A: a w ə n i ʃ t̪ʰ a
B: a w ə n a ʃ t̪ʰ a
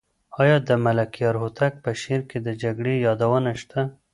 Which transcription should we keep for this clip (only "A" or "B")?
B